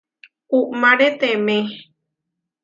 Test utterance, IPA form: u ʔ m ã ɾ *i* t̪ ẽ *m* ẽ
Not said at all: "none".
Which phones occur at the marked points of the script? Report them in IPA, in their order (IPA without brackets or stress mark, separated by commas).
e, m